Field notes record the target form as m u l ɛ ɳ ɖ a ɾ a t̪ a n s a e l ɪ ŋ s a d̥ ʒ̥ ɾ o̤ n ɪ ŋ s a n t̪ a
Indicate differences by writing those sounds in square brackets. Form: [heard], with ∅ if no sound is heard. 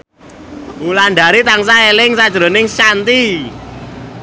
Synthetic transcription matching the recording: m u l [a] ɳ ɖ a ɾ [i] t̪ a [ŋ] s a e l ɪ ŋ s a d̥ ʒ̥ ɾ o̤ n ɪ ŋ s a n t̪ [i]